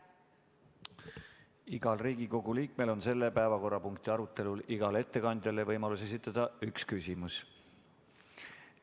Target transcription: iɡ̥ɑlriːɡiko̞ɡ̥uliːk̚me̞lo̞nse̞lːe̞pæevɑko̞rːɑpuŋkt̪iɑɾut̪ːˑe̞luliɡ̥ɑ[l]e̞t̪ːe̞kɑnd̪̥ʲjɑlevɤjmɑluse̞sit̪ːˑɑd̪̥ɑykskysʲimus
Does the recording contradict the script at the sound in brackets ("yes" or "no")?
no